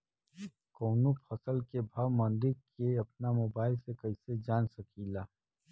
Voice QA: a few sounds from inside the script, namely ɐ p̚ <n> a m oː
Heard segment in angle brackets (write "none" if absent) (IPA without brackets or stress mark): n